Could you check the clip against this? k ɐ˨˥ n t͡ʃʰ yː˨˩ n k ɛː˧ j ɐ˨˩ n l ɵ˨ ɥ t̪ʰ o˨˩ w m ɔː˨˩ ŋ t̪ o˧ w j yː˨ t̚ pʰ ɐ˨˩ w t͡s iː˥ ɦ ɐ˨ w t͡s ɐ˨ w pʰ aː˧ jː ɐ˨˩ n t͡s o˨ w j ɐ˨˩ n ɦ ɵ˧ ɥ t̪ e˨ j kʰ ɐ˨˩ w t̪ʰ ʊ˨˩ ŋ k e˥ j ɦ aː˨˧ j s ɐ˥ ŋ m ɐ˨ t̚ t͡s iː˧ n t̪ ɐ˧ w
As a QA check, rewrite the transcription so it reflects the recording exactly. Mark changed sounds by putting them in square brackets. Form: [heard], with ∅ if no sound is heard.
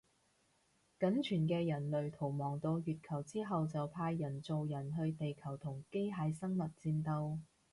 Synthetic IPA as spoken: k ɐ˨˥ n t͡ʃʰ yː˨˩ n k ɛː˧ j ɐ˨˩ n l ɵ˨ ɥ t̪ʰ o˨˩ w m ɔː˨˩ ŋ t̪ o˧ w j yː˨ t̚ [kʰ] ɐ˨˩ w t͡s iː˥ ɦ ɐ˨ w t͡s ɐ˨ w pʰ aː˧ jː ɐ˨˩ n t͡s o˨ w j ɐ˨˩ n ɦ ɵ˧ ɥ t̪ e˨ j kʰ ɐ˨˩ w t̪ʰ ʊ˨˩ ŋ k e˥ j ɦ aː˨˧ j s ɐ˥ ŋ m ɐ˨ t̚ t͡s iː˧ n t̪ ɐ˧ w